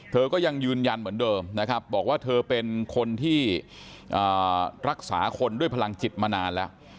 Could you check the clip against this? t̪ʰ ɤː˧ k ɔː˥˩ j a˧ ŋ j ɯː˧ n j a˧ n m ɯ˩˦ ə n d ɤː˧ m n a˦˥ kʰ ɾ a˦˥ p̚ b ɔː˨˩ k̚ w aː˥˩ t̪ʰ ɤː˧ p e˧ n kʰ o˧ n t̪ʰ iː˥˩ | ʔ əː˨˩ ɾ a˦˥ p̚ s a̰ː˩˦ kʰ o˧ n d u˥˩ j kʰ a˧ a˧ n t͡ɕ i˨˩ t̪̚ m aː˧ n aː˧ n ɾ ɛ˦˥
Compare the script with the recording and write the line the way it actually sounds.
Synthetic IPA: t̪ʰ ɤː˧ k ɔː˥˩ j a˧ ŋ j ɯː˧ n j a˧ n m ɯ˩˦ ə n d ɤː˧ m n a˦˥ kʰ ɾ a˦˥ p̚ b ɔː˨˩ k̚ w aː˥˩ t̪ʰ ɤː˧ p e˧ n kʰ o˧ n t̪ʰ iː˥˩ | ʔ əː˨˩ ɾ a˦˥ k̚ s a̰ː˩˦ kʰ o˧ n d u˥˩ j pʰ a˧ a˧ ŋ t͡ɕ i˨˩ t̪̚ m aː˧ n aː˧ n l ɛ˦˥